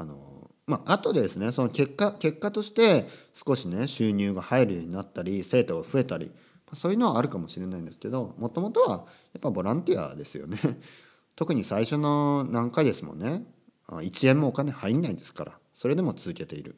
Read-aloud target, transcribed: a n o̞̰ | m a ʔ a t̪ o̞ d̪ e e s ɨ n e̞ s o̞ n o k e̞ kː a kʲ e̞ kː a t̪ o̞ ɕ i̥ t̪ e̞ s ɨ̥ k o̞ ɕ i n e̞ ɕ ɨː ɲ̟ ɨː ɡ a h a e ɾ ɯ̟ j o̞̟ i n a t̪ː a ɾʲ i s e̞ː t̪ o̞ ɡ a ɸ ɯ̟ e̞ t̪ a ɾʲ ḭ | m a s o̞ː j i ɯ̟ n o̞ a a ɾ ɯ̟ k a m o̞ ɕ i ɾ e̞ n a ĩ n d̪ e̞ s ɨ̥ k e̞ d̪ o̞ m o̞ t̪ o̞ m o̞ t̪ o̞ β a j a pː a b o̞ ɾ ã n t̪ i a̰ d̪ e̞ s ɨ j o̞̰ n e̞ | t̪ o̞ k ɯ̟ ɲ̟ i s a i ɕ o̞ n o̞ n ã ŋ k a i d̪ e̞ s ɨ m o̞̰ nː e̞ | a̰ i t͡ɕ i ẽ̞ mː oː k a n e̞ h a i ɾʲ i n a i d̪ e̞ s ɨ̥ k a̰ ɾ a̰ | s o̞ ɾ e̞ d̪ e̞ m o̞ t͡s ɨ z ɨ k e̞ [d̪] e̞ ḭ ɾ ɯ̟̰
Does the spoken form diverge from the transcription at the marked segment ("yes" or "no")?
yes